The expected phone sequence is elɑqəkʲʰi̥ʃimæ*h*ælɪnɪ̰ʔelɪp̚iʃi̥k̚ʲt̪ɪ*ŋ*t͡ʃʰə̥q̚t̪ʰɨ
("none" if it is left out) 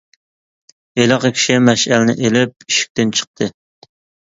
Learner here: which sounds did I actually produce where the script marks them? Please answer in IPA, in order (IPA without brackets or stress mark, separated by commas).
ʃ, n